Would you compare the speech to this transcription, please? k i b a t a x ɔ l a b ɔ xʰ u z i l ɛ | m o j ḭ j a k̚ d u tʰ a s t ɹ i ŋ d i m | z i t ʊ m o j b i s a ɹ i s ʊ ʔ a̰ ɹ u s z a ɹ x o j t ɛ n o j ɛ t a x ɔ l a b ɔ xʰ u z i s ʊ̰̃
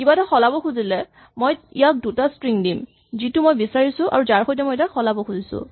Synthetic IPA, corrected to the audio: k i b a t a x ɔ l a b ɔ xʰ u z i l ɛ | m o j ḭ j a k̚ d u t a s t ɹ i ŋ d i m | z i t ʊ m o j b i s a ɹ i s ʊ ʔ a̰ ɹ u z a ɹ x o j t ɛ m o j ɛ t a x ɔ l a b ɔ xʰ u z i s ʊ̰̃

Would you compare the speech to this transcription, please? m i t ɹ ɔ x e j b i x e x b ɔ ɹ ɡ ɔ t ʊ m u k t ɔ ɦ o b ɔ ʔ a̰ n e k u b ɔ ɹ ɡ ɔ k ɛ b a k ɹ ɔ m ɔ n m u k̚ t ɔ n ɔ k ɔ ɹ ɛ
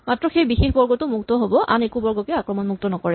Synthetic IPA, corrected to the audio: m a t ɹ ɔ x e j b i x e x b ɔ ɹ ɡ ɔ t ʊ m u k t ɔ ɦ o b ɔ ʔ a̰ n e k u b ɔ ɹ ɡ ɔ k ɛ a k ɹ ɔ m ɔ n m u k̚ t ɔ n ɔ k ɔ ɹ ɛ

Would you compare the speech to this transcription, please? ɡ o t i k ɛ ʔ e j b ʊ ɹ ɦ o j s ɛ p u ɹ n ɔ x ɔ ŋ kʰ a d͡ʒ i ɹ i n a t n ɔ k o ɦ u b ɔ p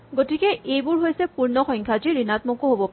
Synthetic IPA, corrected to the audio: ɡ o t i k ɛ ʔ e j b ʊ ɹ ɦ o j s ɛ p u ɹ n ɔ x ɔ ŋ kʰ a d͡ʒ i ɹ i n a t m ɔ k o ɦ o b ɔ p

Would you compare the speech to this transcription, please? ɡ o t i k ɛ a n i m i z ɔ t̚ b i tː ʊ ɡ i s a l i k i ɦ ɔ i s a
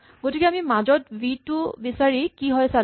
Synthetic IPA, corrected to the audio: ɡ o t i k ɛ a m i m a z ɔ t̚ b i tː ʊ b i s a ɹ i k i ɦ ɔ j s a

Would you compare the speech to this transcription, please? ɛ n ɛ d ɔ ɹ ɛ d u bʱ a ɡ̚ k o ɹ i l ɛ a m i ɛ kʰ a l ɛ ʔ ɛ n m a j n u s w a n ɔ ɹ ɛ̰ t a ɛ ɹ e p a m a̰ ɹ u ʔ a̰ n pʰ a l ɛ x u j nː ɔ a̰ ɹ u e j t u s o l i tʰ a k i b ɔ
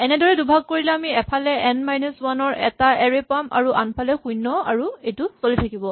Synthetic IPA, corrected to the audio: ɛ n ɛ d ɔ ɹ ɛ d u bʱ a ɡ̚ k o ɹ i l ɛ a m i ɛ pʰ a l ɛ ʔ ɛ n m a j n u s w a n ɔ ɹ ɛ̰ t a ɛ ɹ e p a m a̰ ɹ u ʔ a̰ n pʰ a l ɛ x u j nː ɔ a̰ ɹ u e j t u s o l i tʰ a k i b ɔ

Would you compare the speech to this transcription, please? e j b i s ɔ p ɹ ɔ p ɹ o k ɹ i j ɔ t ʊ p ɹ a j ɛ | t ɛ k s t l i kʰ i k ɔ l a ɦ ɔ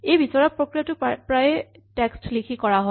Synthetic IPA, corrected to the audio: e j b i s ɔ ɹ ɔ p ɹ o k ɹ i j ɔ t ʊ p ɹ a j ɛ | t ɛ k s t l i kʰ i k ɔ ɹ a ɦ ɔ

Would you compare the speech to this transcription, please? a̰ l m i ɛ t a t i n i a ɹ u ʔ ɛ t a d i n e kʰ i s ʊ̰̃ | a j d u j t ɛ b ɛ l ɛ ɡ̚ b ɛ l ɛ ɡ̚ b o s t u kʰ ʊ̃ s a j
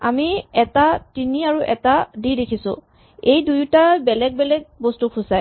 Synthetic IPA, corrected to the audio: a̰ m i ɛ t a t i n i a ɹ u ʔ ɛ t a d i d e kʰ i s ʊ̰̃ | e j d u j t a b ɛ l ɛ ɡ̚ b ɛ l ɛ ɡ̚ b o s t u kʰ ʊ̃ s a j

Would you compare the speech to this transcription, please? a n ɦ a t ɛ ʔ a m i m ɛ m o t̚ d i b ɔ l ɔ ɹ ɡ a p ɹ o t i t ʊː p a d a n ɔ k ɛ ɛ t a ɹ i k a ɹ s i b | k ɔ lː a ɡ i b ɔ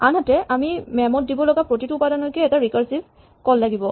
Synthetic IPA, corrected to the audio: a n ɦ a t ɛ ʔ a m i m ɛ m ɔ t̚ d i b ɔ l ɔ ɡ a p ɹ o t i t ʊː p a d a n ɔ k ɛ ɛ t a ɹ i k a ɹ s i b | k ɔ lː a ɡ i b ɔ

